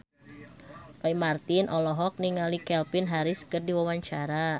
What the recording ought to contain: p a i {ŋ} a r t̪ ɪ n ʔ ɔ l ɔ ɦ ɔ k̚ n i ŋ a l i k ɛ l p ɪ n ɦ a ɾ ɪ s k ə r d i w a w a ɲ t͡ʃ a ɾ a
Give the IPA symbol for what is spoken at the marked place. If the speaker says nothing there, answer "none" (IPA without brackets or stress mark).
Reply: m